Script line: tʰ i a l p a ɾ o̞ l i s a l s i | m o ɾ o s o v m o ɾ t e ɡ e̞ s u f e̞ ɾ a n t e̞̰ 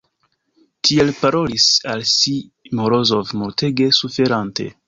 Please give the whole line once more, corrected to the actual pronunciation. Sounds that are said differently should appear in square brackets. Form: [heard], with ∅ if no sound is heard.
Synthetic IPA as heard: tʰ i [e] l p a ɾ o̞ l i s a l s i | m o ɾ o [z] o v m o ɾ t e ɡ e̞ s u f e̞ ɾ a n t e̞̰